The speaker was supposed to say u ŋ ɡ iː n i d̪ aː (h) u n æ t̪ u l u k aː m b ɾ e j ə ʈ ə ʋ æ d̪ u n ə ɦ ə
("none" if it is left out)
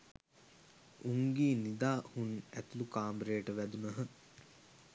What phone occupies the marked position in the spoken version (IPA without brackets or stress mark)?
h